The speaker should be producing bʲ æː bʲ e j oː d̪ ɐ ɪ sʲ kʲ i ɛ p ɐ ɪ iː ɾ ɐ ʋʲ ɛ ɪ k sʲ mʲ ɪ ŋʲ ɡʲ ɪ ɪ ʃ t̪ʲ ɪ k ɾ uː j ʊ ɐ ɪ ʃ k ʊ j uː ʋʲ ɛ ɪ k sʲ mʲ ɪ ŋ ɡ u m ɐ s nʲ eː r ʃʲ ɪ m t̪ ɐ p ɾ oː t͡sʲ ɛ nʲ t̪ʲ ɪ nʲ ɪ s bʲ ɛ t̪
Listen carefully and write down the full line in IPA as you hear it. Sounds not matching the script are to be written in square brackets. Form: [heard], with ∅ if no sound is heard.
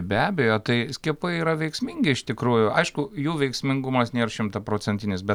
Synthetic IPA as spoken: bʲ æː bʲ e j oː [t̪] ɐ ɪ sʲ kʲ i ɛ p ɐ ɪ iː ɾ ɐ ʋʲ ɛ ɪ k sʲ mʲ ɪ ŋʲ ɡʲ ɪ ɪ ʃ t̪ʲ ɪ k ɾ uː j ʊ ɐ ɪ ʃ k ʊ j uː ʋʲ ɛ ɪ k sʲ mʲ ɪ ŋ ɡ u m ɐ s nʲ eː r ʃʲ ɪ m t̪ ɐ p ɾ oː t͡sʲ ɛ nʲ t̪ʲ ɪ nʲ ɪ s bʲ ɛ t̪